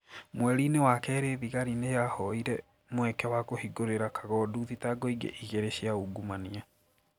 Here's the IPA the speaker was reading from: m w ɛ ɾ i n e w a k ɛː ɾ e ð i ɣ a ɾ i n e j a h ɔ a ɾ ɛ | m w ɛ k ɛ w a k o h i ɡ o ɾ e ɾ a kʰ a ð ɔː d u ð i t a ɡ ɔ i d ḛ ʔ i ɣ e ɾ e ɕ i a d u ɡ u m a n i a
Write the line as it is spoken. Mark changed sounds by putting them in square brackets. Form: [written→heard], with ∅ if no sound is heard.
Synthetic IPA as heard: m w ɛ ɾ i n e w a k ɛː ɾ e ð i ɣ a ɾ i n e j a h ɔ [a→i] ɾ ɛ | m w ɛ k ɛ w a k o h i ɡ o ɾ e ɾ a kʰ a [ð→ɣ] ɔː d u ð i t a ɡ ɔ i [d→ɡ] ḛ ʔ i ɣ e ɾ e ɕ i a [d→∅] u ɡ u m a n i a